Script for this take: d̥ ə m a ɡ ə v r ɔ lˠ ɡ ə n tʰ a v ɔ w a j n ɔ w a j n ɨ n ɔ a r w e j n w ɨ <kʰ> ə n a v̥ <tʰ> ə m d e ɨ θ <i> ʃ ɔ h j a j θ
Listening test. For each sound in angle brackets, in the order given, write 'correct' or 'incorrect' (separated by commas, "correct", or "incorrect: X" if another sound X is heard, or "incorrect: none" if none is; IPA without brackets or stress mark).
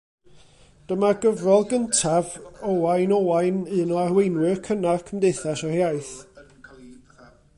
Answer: correct, incorrect: kʰ, incorrect: a